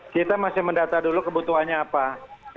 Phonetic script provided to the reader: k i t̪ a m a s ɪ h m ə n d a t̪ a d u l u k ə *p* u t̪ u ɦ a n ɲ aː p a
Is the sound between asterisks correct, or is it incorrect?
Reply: incorrect